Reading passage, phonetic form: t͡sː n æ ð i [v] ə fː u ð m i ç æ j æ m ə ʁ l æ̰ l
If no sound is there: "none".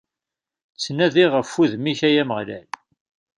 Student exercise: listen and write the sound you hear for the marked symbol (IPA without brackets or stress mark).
ʁ